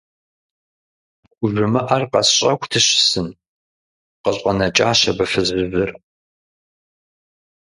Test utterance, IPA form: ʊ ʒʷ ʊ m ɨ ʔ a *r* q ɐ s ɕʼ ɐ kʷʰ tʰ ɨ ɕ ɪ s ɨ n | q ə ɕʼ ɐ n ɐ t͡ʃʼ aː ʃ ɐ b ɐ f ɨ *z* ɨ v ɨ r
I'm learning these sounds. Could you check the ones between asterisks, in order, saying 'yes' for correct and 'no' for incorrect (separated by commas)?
yes, yes